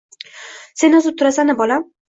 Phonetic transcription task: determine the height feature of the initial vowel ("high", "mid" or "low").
mid